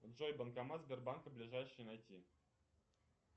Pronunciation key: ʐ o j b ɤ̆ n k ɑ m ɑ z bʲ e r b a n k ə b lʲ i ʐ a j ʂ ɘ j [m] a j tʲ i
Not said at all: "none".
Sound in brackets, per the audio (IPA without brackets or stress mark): n